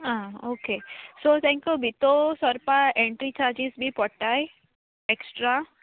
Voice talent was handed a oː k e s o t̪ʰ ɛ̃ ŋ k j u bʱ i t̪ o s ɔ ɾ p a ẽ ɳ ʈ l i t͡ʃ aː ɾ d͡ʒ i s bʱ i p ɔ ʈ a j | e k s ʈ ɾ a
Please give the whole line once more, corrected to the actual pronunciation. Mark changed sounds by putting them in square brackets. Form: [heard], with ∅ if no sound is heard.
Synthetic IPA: a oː k e s o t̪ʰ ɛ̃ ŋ k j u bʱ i t̪ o s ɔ ɾ p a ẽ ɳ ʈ [ɾ] i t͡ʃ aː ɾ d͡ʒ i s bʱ i p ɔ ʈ a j | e k s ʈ ɾ a